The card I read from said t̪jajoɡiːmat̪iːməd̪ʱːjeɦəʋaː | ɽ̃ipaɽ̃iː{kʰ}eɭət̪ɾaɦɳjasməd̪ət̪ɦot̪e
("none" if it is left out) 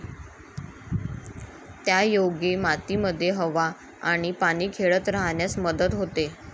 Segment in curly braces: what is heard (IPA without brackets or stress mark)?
kʰ